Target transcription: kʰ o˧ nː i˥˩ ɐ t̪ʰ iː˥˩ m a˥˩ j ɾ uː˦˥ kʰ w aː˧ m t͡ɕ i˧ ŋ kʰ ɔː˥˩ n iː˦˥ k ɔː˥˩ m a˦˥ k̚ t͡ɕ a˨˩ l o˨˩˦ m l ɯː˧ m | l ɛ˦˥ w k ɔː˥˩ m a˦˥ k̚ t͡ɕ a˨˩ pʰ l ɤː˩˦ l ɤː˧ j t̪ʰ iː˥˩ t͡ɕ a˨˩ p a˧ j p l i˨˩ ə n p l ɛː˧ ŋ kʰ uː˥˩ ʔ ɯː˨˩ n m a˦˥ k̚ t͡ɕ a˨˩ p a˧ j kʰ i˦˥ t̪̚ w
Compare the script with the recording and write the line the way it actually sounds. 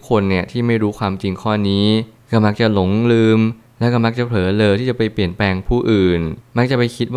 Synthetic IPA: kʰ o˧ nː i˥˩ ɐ t̪ʰ iː˥˩ m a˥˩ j ɾ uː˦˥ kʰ w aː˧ m t͡ɕ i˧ ŋ kʰ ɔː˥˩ n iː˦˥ k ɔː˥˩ m a˦˥ k̚ t͡ɕ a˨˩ l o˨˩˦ ŋ l ɯː˧ m | l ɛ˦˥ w k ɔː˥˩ m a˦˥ k̚ t͡ɕ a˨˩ pʰ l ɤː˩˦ l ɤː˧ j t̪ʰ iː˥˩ t͡ɕ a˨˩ p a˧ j p l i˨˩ ə n p l ɛː˧ ŋ pʰ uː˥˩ ʔ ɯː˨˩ n m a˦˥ k̚ t͡ɕ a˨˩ p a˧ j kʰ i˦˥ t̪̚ w